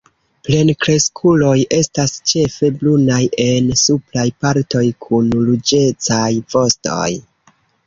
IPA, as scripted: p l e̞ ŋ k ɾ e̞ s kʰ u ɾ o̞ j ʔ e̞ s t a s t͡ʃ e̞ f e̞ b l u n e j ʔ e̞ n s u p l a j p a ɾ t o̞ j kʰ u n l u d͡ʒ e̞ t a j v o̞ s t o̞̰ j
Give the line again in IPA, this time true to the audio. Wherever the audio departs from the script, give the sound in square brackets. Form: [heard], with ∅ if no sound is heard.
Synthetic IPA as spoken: p l e̞ [n] k ɾ e̞ s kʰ u [l] o̞ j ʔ e̞ s t a s t͡ʃ e̞ f e̞ b l u n [a] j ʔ e̞ n s u p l a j p a ɾ t o̞ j kʰ u n l u d͡ʒ e̞ [t͡s] a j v o̞ s t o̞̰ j